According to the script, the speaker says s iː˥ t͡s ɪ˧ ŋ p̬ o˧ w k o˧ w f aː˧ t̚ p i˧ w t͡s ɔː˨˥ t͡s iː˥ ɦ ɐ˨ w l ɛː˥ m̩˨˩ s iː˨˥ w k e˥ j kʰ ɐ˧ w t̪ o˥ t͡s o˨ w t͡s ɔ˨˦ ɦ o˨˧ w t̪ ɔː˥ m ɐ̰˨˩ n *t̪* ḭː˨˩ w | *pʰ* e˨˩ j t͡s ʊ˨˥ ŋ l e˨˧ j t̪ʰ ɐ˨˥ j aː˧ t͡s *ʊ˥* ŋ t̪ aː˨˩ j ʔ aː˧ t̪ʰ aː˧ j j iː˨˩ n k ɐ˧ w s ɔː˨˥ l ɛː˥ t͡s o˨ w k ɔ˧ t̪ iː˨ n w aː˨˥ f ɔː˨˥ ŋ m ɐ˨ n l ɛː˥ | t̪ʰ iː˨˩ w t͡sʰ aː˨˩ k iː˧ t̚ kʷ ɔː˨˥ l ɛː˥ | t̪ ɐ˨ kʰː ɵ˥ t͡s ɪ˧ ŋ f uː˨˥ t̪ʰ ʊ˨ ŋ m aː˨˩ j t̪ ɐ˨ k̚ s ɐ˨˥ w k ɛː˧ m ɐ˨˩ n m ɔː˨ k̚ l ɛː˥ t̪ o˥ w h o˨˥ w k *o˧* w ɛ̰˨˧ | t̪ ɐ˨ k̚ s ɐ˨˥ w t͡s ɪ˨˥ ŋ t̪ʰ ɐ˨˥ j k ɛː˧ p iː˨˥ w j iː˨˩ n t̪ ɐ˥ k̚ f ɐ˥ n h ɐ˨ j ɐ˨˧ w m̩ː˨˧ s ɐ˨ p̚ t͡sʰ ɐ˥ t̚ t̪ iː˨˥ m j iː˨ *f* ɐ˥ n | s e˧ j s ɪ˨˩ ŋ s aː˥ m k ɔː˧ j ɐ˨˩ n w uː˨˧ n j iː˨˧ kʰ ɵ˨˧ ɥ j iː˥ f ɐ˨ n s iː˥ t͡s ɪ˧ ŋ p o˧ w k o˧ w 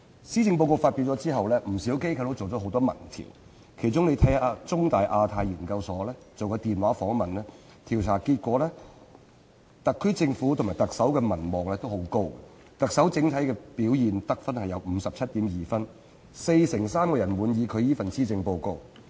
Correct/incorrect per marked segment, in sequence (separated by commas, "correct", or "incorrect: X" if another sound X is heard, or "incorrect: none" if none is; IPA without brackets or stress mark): incorrect: t̪ʰ, incorrect: kʰ, correct, incorrect: o˥, correct